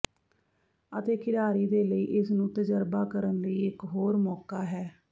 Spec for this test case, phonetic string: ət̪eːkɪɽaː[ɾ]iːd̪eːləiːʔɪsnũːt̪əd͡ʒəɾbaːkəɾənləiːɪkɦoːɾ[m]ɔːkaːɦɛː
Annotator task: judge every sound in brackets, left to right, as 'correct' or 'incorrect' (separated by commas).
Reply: correct, correct